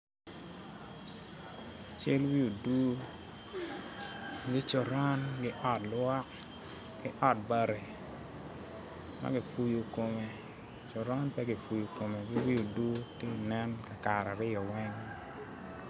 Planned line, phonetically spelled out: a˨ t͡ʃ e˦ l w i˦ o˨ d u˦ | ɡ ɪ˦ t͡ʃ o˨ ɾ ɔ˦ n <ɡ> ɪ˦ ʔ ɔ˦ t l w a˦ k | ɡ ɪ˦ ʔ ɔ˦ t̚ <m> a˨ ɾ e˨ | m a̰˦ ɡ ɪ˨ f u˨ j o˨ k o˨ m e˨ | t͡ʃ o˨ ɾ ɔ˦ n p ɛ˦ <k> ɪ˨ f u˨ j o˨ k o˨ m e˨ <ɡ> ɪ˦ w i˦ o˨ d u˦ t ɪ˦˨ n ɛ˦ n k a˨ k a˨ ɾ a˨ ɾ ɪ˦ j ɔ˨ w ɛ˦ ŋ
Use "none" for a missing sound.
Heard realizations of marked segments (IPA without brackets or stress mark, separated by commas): ɡ, b, ɡ, ɡ